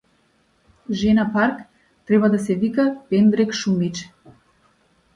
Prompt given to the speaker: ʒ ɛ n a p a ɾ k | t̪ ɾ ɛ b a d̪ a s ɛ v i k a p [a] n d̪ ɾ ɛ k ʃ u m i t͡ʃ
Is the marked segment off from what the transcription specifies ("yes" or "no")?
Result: yes